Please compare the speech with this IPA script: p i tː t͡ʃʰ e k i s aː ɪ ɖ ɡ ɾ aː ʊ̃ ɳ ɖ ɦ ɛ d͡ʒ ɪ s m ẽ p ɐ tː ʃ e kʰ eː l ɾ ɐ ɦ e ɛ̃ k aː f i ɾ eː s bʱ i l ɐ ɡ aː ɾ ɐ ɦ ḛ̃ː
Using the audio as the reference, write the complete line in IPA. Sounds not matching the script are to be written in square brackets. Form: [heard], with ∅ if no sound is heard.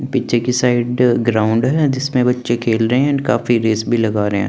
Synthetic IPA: p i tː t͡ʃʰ e k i s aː ɪ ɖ ɡ ɾ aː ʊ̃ ɳ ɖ ɦ ɛ d͡ʒ ɪ s m ẽ [b] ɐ tː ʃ e kʰ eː l ɾ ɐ ɦ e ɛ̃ k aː f i ɾ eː s bʱ i l ɐ ɡ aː ɾ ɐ ɦ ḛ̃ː